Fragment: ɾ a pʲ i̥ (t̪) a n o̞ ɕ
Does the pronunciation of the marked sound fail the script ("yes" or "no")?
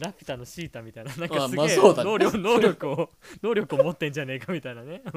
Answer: no